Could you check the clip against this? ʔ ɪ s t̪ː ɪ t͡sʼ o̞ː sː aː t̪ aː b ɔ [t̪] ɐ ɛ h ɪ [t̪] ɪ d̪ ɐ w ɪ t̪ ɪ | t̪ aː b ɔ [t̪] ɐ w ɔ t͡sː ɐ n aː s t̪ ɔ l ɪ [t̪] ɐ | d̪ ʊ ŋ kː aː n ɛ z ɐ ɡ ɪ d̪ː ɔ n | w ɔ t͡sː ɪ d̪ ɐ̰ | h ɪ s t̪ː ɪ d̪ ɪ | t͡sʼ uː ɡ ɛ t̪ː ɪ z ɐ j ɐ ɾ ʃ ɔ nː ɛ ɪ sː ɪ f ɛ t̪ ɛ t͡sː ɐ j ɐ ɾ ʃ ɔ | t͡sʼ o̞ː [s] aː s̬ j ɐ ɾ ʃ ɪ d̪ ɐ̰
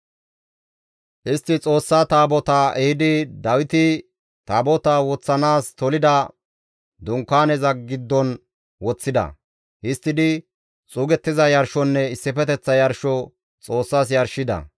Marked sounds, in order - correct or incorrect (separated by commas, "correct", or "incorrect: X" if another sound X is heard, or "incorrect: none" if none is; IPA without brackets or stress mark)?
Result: correct, incorrect: d̪, correct, incorrect: d̪, incorrect: sː